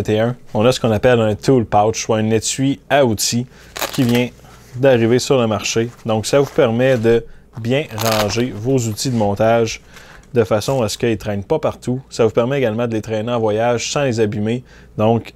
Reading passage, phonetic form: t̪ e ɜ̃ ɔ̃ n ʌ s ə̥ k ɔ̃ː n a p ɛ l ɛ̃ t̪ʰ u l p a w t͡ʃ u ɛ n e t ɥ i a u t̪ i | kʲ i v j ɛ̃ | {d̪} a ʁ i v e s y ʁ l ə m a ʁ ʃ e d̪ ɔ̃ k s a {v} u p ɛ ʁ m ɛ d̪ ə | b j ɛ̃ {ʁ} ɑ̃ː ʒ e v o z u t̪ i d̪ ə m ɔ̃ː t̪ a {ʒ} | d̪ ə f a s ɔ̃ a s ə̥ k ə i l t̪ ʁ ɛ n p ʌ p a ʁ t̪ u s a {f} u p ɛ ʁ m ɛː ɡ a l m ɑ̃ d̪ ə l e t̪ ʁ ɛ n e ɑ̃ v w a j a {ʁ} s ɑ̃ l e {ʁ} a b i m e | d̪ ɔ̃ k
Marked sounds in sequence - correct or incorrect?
correct, correct, correct, correct, incorrect: v, incorrect: ʒ, incorrect: z

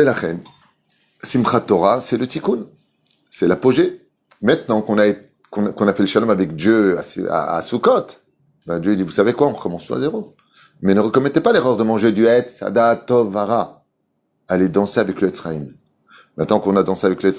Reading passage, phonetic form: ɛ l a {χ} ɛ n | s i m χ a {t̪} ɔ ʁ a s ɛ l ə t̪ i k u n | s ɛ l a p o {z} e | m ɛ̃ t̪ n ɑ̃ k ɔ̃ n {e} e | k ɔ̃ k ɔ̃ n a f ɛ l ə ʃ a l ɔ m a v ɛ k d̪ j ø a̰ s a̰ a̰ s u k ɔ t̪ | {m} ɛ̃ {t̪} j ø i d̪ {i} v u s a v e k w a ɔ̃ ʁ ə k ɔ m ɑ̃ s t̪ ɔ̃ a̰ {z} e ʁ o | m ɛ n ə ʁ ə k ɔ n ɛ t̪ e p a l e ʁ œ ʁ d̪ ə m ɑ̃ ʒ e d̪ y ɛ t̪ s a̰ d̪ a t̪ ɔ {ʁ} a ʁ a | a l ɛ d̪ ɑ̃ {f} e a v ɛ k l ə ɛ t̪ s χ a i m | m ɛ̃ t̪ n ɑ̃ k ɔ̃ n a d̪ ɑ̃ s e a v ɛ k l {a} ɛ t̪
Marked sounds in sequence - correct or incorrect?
correct, correct, incorrect: ʒ, incorrect: a, incorrect: b, incorrect: d̪, correct, correct, incorrect: v, incorrect: s, incorrect: ə

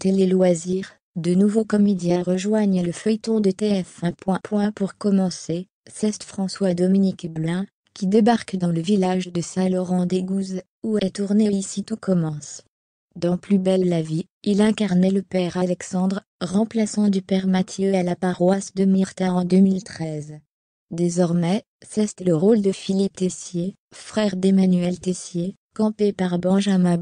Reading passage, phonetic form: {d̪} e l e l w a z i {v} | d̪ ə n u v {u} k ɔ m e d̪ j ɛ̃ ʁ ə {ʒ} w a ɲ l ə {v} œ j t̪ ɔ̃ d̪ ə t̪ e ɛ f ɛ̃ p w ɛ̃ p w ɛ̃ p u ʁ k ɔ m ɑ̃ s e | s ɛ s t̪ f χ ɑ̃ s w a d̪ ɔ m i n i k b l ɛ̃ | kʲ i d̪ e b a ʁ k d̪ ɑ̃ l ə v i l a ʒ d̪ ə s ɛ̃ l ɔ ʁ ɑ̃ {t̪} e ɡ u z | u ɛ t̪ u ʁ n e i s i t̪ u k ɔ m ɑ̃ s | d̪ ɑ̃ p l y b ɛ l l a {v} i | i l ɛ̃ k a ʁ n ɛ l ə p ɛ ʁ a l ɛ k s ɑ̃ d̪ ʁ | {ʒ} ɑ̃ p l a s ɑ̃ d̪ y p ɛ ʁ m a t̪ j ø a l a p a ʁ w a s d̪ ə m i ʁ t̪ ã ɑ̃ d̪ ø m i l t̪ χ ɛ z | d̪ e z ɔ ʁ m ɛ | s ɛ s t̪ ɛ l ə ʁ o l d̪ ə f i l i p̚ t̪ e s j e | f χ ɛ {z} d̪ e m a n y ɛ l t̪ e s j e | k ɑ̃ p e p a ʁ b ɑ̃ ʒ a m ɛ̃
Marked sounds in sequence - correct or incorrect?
incorrect: t̪, incorrect: ʁ, incorrect: o, correct, incorrect: f, incorrect: d̪, correct, incorrect: ʁ, incorrect: ʁ

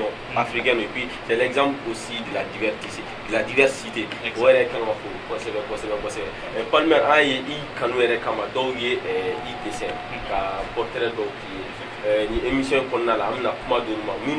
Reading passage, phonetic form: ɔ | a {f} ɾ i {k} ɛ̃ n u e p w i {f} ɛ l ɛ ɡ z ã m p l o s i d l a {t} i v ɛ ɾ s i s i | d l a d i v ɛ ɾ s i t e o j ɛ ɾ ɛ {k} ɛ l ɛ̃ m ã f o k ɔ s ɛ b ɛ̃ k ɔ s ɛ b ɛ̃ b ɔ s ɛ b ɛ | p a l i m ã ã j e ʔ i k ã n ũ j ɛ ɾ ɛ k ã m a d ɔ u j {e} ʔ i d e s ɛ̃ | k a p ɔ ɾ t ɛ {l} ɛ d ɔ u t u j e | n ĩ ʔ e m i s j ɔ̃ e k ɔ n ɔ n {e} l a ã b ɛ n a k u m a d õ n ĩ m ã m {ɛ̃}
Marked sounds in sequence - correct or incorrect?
correct, correct, incorrect: s, incorrect: d, correct, correct, incorrect: ɾ, incorrect: a, incorrect: ĩ

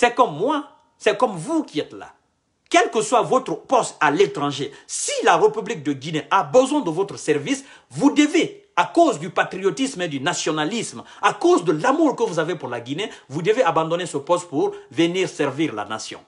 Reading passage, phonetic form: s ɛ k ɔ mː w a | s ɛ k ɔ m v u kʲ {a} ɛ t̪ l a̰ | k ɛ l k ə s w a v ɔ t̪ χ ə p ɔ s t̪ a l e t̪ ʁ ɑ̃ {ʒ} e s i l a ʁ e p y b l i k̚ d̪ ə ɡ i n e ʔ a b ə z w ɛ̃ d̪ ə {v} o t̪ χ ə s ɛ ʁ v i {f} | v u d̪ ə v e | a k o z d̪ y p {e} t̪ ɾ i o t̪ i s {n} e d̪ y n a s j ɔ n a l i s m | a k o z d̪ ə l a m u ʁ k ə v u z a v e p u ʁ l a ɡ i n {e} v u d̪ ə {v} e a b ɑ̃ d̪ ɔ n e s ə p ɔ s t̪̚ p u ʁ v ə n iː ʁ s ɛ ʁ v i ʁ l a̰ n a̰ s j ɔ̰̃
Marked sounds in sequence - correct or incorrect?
incorrect: i, correct, correct, incorrect: s, incorrect: a, incorrect: m, correct, correct

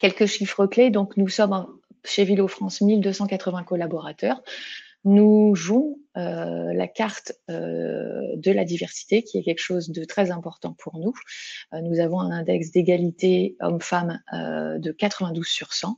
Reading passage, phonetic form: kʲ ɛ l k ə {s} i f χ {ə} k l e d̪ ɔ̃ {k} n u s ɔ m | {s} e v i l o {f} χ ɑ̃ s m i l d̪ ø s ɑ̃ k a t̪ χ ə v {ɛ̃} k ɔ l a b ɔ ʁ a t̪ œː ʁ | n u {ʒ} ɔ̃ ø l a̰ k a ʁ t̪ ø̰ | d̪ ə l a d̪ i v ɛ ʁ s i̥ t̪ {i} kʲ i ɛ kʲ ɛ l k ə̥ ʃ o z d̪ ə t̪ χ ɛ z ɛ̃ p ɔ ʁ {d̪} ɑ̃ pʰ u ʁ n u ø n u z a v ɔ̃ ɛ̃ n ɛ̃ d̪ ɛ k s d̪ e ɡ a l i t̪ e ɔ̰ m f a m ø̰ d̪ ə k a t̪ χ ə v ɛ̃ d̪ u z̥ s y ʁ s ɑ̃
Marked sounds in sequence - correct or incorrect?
incorrect: ʃ, correct, correct, incorrect: ʃ, correct, correct, correct, incorrect: e, incorrect: t̪

